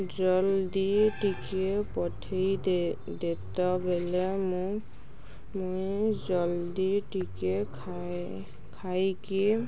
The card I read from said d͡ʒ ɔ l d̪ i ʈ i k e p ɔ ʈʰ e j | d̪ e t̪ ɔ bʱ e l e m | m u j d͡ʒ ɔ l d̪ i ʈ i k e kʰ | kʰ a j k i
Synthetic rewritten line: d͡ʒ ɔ l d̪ i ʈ i k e p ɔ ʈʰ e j | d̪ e t̪ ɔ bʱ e l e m | m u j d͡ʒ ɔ l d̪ i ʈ i k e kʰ | kʰ a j k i